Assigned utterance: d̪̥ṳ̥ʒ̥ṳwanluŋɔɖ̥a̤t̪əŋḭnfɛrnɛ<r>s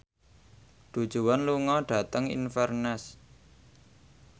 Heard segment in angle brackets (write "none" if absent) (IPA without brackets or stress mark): none